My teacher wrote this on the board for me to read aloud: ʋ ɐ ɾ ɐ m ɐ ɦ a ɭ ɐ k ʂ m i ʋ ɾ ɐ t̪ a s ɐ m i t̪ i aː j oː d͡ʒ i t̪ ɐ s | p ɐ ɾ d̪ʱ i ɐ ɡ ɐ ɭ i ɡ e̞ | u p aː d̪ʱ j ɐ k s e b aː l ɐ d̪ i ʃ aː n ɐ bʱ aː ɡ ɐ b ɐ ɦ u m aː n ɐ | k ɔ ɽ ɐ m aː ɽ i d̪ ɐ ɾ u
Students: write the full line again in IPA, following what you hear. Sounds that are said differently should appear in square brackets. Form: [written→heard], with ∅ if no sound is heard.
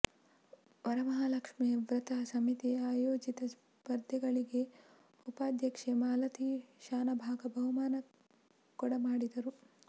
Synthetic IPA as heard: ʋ ɐ ɾ ɐ m ɐ ɦ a [ɭ→l] ɐ k ʂ m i ʋ ɾ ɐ t̪ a s ɐ m i t̪ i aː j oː d͡ʒ i t̪ ɐ s | p ɐ ɾ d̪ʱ [i→j] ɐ ɡ ɐ ɭ i ɡ e̞ | u p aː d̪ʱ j ɐ k [s→ʂ] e [b→m] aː l ɐ [d̪→t̪] i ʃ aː n ɐ bʱ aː ɡ ɐ b ɐ ɦ u m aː n ɐ | k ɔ ɽ ɐ m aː ɽ i d̪ ɐ ɾ u

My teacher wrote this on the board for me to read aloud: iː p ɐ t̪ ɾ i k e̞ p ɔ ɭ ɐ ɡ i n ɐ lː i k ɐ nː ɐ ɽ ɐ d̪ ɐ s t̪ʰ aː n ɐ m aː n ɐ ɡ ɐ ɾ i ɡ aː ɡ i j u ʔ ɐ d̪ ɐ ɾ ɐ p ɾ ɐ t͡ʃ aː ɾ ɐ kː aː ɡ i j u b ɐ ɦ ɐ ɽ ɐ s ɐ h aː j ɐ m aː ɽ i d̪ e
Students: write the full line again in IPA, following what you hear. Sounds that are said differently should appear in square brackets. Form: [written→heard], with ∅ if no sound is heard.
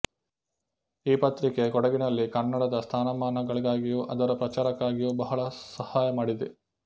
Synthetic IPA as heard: iː p ɐ t̪ ɾ i k e̞ [p→k] ɔ [ɭ→ɽ] ɐ ɡ i n ɐ lː i k ɐ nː ɐ ɽ ɐ d̪ ɐ s t̪ʰ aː n ɐ m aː n ɐ ɡ ɐ [ɾ→ɭ] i ɡ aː ɡ i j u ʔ ɐ d̪ ɐ ɾ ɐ p ɾ ɐ t͡ʃ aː ɾ ɐ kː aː ɡ i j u b ɐ ɦ ɐ [ɽ→ɭ] ɐ s ɐ h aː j ɐ m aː ɽ i d̪ e

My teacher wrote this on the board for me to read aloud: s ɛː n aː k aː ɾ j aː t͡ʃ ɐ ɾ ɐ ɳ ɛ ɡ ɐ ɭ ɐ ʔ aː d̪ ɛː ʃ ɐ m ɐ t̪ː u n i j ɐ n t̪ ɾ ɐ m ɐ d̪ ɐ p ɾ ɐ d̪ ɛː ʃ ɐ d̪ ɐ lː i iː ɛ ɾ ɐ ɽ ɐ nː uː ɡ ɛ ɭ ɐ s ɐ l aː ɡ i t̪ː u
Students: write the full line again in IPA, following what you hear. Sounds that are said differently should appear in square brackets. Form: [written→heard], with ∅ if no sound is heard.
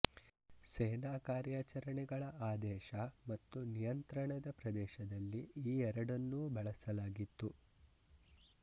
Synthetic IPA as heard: s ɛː n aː k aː ɾ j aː t͡ʃ ɐ ɾ ɐ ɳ ɛ ɡ ɐ ɭ ɐ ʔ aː d̪ ɛː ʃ ɐ m ɐ t̪ː u n i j ɐ n t̪ ɾ ɐ [m→ɳ] ɐ d̪ ɐ p ɾ ɐ d̪ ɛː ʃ ɐ d̪ ɐ lː i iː ɛ ɾ ɐ ɽ ɐ nː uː [ɡ→b] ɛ ɭ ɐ s ɐ l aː ɡ i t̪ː u

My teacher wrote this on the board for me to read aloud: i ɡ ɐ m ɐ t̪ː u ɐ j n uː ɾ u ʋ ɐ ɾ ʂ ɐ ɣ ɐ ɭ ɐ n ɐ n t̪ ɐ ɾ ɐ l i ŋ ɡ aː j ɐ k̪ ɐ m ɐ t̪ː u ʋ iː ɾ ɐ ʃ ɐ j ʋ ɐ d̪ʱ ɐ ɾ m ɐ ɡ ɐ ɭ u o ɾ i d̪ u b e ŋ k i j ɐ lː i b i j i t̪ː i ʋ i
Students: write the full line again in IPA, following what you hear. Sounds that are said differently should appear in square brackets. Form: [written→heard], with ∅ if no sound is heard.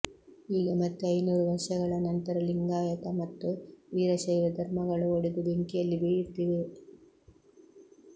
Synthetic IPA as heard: [i→iː] ɡ ɐ m ɐ t̪ː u ɐ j n uː ɾ u ʋ ɐ ɾ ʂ ɐ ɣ ɐ ɭ ɐ n ɐ n t̪ ɐ ɾ ɐ l i ŋ ɡ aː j ɐ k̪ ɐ m ɐ t̪ː u ʋ iː ɾ ɐ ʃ ɐ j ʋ ɐ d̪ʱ ɐ ɾ m ɐ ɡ ɐ ɭ u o [ɾ→ɽ] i d̪ u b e ŋ k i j ɐ lː i b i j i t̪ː i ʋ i

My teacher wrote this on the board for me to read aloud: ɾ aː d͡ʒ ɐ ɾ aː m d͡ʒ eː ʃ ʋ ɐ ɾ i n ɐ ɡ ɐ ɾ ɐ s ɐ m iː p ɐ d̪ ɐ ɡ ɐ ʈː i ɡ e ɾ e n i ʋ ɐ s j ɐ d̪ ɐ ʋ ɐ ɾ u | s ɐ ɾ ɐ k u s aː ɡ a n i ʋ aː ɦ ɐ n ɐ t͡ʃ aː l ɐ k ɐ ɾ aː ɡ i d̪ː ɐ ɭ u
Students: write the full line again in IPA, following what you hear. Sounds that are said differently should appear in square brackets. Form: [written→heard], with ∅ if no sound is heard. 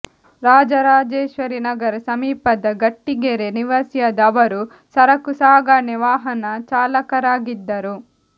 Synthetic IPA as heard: ɾ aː d͡ʒ ɐ ɾ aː [m→∅] d͡ʒ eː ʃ ʋ ɐ ɾ i n ɐ ɡ ɐ ɾ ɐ s ɐ m iː p ɐ d̪ ɐ ɡ ɐ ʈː i ɡ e ɾ e n i ʋ ɐ s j ɐ d̪ ɐ ʋ ɐ ɾ u | s ɐ ɾ ɐ k u s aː ɡ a n i ʋ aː ɦ ɐ n ɐ t͡ʃ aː l ɐ k ɐ ɾ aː ɡ i d̪ː ɐ [ɭ→ɾ] u

